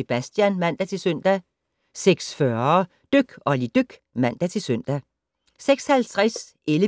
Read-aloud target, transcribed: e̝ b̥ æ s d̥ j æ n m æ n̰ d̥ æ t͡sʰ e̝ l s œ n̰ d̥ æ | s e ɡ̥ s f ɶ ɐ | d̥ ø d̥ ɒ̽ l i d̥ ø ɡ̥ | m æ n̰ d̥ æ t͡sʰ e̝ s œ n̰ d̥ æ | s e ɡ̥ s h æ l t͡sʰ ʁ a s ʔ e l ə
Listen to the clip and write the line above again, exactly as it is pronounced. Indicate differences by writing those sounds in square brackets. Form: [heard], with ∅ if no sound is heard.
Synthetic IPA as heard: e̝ b̥ æ s d̥ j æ n m æ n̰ d̥ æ t͡sʰ e̝ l s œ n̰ d̥ æ | s e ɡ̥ s f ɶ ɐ | d̥ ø [ɡ̥] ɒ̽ l i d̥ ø ɡ̥ | m æ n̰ d̥ æ t͡sʰ e̝ s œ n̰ d̥ æ | s e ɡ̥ s h æ l t͡sʰ ʁ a s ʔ e l ə

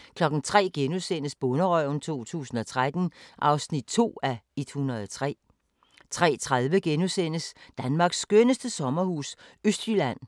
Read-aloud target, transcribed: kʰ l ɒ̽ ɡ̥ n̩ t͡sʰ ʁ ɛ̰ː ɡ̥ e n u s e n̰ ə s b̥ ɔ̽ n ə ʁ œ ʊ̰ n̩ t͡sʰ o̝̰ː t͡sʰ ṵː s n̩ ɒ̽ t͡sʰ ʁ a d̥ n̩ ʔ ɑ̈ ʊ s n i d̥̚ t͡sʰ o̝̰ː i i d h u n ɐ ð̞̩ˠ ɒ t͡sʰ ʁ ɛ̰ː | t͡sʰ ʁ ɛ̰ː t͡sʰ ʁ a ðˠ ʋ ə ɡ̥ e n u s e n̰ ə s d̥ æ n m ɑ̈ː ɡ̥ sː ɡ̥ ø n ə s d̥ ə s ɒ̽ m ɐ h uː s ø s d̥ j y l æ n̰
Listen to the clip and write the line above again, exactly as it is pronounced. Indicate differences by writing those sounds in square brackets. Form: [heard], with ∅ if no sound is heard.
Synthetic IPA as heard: kʰ l ɒ̽ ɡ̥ n̩ t͡sʰ ʁ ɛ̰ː ɡ̥ e n u s e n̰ ə s b̥ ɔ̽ n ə ʁ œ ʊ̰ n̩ t͡sʰ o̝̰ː t͡sʰ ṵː s n̩ ɒ̽ t͡sʰ ʁ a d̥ n̩ ʔ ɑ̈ ʊ s n i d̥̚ t͡sʰ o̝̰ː [æ] i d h u n ɐ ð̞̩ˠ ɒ t͡sʰ ʁ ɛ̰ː | t͡sʰ ʁ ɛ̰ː t͡sʰ ʁ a ðˠ ʋ ə ɡ̥ e n u s e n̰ ə s d̥ æ n m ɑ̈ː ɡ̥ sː ɡ̥ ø n ə s d̥ ə s ɒ̽ m ɐ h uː s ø s d̥ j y l æ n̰

